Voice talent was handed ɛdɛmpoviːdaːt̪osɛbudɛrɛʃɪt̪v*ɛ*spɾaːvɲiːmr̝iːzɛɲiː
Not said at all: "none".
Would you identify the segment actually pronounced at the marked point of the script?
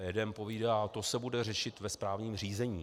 ɛ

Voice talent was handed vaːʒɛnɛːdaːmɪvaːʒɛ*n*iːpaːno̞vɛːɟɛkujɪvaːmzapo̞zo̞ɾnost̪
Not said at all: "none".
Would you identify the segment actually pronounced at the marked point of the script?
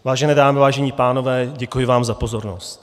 ɲ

